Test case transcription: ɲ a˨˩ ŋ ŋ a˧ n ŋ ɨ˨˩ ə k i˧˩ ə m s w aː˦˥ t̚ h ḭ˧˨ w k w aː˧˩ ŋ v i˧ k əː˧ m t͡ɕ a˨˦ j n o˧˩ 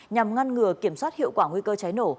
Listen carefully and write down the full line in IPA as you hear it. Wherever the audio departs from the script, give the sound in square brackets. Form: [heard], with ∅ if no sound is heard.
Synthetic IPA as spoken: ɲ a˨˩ [m] ŋ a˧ n ŋ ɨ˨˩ ə k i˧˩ ə m s w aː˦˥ t̚ h ḭ˧˨ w k w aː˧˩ ŋ [w] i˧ k əː˧ [∅] t͡ɕ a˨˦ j n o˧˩